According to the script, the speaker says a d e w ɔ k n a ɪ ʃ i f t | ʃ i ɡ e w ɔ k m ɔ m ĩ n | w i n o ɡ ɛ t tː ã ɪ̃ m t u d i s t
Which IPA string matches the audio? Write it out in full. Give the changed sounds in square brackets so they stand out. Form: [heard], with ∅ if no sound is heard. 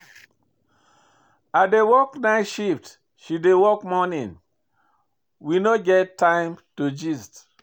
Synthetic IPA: a d e w ɔ k n a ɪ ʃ i f t | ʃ i [d] e w ɔ k m ɔ [n] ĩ n | w i n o ɡ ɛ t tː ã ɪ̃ m t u [d͡ʒ] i s t